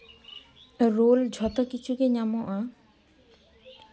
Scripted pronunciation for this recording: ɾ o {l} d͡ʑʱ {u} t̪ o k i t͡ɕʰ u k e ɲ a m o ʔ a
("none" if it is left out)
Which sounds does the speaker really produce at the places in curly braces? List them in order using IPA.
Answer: l, ɔ

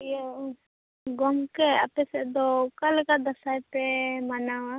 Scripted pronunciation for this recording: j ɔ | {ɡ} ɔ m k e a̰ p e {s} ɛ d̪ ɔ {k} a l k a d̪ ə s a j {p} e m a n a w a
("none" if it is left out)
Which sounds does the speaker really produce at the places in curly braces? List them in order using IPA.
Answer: ɡ, s, k, p

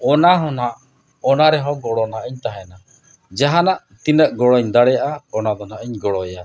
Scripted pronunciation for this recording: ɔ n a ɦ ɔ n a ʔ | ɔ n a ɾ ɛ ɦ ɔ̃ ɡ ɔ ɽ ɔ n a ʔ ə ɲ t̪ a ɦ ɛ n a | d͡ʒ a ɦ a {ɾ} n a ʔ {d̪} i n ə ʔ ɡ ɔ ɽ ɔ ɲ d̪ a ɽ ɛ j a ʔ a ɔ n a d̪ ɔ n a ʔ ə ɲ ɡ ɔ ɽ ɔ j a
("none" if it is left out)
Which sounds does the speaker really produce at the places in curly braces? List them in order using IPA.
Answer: none, t̪

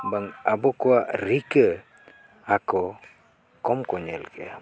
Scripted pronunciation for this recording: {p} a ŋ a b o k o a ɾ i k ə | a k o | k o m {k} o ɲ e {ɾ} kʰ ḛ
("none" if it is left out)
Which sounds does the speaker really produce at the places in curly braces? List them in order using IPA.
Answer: b, k, l

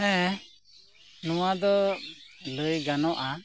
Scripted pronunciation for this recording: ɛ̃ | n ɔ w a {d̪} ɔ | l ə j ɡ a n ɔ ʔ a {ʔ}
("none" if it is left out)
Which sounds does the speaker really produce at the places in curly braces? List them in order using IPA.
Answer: d̪, none

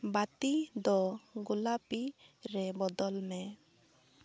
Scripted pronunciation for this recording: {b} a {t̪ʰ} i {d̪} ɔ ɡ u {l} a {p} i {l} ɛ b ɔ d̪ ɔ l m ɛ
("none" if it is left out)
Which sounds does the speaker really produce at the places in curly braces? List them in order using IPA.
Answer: b, t̪, d̪, l, p, ɾ

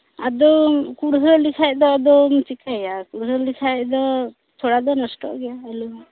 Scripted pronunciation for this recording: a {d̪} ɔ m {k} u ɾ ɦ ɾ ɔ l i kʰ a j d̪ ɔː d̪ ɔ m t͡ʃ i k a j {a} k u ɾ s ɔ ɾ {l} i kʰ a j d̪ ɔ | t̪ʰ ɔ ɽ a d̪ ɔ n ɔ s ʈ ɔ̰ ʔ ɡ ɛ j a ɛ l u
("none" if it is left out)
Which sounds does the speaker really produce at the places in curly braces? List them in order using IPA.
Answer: d̪, k, a, l

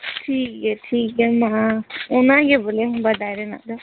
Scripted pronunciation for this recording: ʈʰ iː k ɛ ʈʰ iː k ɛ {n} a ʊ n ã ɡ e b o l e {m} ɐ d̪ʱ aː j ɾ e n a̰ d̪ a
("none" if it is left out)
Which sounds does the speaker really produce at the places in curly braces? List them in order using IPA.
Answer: m, b

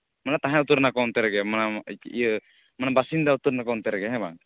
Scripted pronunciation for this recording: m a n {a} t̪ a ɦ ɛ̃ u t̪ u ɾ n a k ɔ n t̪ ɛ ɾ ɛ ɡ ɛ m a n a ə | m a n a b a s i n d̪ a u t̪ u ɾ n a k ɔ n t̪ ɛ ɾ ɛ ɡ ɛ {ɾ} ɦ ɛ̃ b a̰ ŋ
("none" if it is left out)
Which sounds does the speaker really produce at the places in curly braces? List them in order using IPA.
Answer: a, none

